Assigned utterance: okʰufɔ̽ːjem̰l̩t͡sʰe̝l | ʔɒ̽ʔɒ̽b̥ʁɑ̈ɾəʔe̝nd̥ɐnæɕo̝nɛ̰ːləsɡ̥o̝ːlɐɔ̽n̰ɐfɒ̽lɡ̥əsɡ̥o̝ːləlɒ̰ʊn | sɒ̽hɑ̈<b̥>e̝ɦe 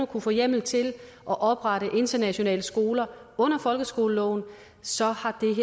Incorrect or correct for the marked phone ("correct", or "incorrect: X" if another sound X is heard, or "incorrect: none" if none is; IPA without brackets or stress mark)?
incorrect: d̥